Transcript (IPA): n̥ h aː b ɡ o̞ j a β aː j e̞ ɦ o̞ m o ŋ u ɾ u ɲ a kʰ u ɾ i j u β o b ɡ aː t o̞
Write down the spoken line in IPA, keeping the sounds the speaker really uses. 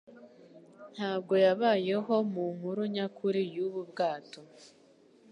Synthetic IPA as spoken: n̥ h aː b ɡ o̞ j a β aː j e̞ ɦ o̞ m u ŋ u ɾ u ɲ a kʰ u ɾ i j u β u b ɡ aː t o̞